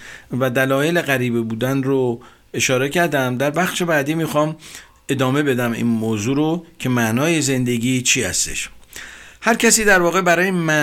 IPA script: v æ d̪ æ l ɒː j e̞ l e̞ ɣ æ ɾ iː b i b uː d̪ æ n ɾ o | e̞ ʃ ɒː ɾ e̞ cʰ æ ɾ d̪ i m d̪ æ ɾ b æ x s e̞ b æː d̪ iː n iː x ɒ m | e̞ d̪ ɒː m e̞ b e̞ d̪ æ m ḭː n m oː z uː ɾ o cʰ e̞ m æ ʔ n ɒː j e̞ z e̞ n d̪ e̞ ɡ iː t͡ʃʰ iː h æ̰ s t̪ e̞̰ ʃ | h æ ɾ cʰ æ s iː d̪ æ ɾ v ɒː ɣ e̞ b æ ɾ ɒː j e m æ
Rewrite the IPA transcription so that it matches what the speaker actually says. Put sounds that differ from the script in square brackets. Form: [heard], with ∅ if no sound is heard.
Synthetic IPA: v æ d̪ æ l ɒː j e̞ l e̞ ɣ æ ɾ iː b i b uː d̪ æ n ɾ o | e̞ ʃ ɒː ɾ e̞ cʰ æ ɾ d̪ [æ] m d̪ æ ɾ b æ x [ʃ] e̞ b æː d̪ iː [m] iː x ɒ m | e̞ d̪ ɒː m e̞ b e̞ d̪ æ m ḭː n m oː z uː ɾ o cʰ e̞ m æ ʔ n ɒː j e̞ z e̞ n d̪ e̞ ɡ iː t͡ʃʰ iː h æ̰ s t̪ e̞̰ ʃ | h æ ɾ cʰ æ s iː d̪ æ ɾ v ɒː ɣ e̞ b æ ɾ ɒː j e m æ